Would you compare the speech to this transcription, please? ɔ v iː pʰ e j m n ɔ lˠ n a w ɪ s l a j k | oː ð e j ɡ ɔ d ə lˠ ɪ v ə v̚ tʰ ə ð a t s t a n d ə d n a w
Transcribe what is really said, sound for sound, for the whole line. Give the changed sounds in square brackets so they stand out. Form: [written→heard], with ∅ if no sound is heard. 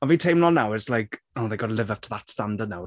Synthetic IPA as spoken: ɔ v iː [pʰ→tʰ] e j m n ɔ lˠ n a w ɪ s l a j k | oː ð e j ɡ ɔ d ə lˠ ɪ v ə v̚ tʰ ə ð a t s t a n d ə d n a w